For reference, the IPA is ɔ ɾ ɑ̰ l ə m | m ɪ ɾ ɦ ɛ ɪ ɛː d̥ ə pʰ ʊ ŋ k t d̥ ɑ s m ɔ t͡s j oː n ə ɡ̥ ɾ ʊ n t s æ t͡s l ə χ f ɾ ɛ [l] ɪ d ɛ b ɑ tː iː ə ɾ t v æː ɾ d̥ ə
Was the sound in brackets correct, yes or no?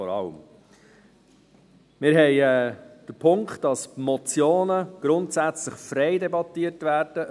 no